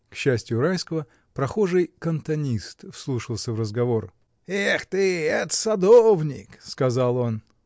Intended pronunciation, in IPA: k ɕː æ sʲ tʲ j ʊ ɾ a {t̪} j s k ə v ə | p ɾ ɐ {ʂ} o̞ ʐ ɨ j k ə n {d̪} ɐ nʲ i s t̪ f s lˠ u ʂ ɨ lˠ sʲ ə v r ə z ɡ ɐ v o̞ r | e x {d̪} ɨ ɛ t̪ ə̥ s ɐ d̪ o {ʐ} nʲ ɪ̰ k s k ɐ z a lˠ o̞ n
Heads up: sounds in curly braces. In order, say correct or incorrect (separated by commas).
incorrect, incorrect, incorrect, incorrect, incorrect